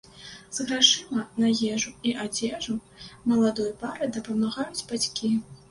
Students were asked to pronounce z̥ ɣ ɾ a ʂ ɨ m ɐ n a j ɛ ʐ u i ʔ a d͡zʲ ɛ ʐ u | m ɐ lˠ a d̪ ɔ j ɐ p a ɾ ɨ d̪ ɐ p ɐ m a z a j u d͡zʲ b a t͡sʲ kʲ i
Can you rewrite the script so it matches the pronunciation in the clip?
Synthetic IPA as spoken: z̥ ɣ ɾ a ʂ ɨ m ɐ n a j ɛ ʐ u i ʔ a d͡zʲ ɛ ʐ u | m ɐ lˠ a d̪ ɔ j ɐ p a ɾ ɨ d̪ ɐ p ɐ m a ɣ a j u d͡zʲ b a t͡sʲ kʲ i